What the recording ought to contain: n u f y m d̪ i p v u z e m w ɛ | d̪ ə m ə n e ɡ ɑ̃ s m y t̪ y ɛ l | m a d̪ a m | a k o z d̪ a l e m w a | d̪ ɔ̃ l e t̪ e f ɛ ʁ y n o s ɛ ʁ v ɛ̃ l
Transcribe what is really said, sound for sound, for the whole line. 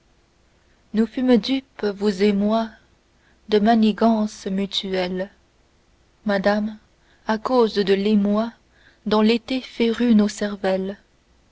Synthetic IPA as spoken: n u f y m d̪ y p v u z e m w a | d̪ ə m a n e ɡ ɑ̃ s m y t̪ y ɛ l | m a d̪ a m | a k o z d̪ ə l e m w a | d̪ ɔ̃ l e t̪ e f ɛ ʁ y n o s ɛ ʁ v ɛ l